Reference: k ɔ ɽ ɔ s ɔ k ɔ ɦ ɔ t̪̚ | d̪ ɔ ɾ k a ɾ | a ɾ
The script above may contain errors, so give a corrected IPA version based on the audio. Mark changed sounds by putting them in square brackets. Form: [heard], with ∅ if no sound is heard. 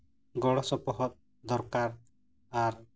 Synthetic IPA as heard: [ɡ] ɔ ɽ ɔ s ɔ [p] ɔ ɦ ɔ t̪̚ | d̪ ɔ ɾ k a ɾ | a ɾ